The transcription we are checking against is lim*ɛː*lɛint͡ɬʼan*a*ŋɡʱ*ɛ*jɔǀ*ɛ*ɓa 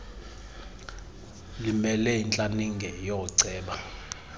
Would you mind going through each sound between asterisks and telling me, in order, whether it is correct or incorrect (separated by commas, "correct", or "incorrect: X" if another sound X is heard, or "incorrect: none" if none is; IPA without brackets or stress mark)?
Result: incorrect: ɛ, incorrect: i, correct, incorrect: ɛː